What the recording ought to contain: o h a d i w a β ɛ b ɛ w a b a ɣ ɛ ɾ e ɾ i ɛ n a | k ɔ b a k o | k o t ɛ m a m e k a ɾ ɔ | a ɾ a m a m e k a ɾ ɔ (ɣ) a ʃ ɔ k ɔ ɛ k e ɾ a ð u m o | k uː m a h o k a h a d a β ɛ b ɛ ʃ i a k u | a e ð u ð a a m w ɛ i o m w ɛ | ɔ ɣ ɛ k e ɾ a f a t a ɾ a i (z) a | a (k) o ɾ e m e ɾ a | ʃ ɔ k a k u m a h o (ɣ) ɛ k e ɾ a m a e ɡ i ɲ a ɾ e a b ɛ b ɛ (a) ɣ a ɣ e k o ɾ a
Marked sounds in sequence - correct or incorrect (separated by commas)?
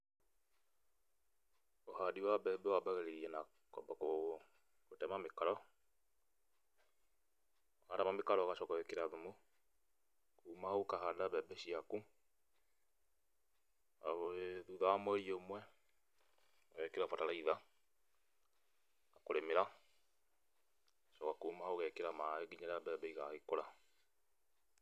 correct, incorrect, correct, correct, incorrect